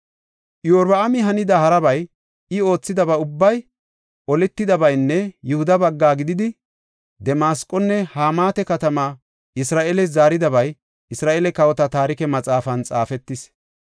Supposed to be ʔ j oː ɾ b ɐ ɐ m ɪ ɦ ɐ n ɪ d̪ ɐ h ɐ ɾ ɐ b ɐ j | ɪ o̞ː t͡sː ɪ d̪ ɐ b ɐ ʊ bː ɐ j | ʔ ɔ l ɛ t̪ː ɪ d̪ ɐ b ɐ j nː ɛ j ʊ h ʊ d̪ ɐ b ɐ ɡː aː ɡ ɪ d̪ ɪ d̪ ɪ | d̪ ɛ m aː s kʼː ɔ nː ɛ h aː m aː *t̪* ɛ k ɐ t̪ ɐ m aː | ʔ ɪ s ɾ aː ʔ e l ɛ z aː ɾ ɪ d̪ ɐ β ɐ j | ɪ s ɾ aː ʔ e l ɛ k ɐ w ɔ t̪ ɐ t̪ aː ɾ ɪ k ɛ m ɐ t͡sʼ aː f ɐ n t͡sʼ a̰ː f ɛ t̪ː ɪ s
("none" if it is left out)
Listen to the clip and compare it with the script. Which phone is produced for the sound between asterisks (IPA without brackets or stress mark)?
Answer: t̪